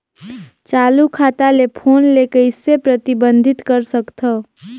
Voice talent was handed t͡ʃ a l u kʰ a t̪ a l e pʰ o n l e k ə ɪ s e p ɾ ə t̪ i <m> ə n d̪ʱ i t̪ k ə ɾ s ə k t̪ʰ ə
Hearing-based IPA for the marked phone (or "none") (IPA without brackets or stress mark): b